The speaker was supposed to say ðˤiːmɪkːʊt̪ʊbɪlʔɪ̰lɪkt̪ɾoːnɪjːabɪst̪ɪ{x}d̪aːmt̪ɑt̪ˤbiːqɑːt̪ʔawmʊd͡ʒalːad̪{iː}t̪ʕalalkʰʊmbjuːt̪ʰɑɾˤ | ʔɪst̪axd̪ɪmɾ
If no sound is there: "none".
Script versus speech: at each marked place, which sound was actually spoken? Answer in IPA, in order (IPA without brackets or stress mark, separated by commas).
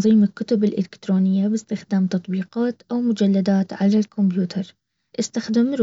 x, aː